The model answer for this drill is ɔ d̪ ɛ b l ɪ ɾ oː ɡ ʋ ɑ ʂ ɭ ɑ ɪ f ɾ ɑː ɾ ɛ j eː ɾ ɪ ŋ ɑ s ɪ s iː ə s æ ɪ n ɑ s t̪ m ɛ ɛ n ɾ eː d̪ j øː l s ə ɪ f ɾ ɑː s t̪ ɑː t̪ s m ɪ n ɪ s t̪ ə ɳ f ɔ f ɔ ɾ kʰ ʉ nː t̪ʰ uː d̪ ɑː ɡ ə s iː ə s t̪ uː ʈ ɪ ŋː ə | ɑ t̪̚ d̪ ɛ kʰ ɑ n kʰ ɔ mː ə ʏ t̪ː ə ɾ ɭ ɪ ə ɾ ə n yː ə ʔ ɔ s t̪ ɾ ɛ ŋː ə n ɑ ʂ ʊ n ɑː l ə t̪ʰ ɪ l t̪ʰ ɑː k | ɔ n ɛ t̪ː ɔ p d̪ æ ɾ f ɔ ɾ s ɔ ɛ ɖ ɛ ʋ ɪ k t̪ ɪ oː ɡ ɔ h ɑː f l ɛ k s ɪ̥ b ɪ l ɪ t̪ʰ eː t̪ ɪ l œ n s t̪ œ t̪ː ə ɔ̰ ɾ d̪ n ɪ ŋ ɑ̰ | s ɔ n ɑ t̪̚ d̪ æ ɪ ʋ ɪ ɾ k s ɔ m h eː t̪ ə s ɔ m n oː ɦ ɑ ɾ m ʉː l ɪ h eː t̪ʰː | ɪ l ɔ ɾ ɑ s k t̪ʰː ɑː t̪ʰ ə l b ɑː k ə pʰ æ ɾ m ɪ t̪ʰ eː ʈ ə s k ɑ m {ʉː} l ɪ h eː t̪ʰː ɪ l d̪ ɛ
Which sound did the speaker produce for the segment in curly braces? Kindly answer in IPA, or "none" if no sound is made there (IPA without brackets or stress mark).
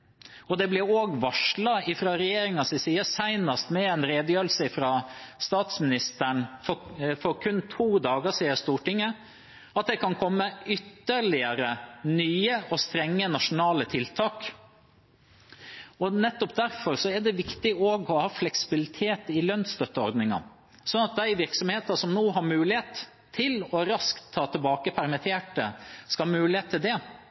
ʉː